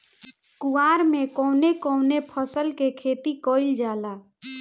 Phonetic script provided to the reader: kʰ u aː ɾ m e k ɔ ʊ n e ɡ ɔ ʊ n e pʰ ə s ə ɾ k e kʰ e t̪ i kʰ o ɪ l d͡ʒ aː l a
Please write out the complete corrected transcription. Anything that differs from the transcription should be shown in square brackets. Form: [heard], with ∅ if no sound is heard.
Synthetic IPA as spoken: [k] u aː ɾ m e k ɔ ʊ n e [k] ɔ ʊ n e pʰ ə s ə [l] k e kʰ e t̪ i [k] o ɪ l d͡ʒ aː l a